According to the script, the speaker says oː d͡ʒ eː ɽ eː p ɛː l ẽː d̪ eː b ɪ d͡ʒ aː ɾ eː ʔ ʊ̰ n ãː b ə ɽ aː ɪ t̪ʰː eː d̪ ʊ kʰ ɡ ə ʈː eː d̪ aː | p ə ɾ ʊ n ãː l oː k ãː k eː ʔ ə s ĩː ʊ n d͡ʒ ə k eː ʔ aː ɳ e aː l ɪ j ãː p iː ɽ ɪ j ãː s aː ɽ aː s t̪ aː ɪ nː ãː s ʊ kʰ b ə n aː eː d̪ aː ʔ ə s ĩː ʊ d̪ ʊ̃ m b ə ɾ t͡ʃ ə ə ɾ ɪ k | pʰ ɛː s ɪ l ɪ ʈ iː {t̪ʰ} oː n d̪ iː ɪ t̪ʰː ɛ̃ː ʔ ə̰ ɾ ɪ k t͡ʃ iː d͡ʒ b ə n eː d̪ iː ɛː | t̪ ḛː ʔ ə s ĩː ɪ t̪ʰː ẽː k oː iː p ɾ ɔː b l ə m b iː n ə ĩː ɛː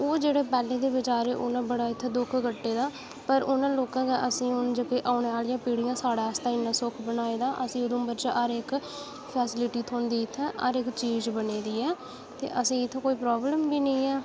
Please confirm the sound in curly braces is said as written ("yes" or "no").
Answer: yes